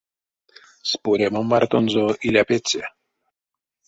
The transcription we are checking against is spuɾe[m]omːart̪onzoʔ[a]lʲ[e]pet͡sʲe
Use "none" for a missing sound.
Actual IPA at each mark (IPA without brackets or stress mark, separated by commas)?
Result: m, i, a